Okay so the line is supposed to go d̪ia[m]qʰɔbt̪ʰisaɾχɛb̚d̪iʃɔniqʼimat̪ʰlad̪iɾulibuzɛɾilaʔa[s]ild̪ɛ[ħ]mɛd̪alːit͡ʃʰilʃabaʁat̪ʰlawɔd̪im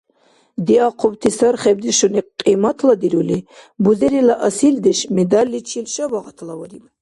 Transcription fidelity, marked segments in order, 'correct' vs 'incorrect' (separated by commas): incorrect, correct, incorrect